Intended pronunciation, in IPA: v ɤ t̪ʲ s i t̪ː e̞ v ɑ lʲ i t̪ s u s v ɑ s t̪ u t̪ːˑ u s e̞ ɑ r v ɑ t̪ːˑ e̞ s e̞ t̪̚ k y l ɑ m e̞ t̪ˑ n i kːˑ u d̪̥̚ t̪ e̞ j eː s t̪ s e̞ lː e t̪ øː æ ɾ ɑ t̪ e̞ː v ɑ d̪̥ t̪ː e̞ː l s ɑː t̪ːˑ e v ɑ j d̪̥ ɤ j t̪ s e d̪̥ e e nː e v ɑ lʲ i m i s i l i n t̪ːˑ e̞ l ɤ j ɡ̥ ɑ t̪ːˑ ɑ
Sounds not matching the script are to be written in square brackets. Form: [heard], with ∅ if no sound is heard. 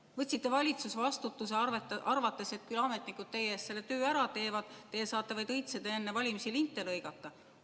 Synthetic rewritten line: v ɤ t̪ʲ s i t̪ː e̞ v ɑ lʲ i t̪ s u s v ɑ s t̪ u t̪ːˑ u s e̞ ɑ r v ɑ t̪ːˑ e̞ s e̞ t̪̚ k y l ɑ m e̞ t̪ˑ n i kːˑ u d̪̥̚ t̪ e̞ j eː s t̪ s e̞ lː e t̪ øː æ ɾ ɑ t̪ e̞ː v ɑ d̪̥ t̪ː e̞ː [∅] s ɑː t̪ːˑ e v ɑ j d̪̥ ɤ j t̪ s e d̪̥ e e nː e v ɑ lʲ i m i s i l i n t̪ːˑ e̞ l ɤ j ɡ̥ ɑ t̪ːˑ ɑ